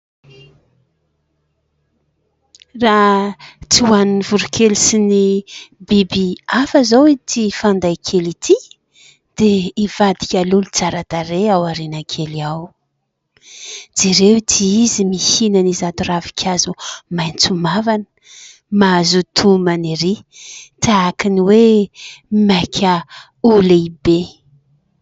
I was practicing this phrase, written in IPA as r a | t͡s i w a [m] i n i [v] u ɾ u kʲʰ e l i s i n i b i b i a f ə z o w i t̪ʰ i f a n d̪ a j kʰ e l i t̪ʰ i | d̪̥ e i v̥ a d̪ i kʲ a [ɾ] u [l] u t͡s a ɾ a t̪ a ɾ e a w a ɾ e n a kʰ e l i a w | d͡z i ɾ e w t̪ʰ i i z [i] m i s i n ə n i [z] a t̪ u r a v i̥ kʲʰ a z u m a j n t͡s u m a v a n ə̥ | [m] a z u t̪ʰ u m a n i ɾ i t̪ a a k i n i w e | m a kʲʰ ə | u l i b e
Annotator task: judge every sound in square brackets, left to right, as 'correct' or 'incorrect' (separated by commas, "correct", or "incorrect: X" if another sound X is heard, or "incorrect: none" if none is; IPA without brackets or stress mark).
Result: incorrect: n, correct, incorrect: l, correct, correct, correct, correct